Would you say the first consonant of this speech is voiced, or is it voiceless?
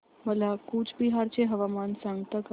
voiced